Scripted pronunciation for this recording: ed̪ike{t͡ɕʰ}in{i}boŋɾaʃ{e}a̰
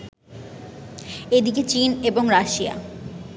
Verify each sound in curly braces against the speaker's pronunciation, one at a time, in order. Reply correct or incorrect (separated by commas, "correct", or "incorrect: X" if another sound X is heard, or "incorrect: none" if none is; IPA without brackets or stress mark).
incorrect: t͡ɕ, incorrect: e, incorrect: i